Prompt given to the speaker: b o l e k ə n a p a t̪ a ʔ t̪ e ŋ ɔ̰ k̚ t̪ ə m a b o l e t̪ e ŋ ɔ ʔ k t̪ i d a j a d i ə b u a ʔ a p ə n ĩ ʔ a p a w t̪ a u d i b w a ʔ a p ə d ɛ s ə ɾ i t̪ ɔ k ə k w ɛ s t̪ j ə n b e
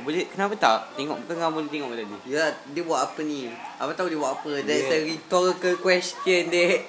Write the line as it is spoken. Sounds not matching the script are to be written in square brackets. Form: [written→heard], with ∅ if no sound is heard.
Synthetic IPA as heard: b o l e k ə n a p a t̪ a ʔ t̪ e ŋ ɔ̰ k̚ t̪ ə [m→ŋ] a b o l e t̪ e ŋ ɔ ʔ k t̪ [i→a] d [a→i] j a d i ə b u a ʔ a p ə n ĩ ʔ a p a [w→∅] t̪ a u d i b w a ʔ a p ə d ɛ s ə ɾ i t̪ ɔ k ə k w ɛ s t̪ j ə n [b→d] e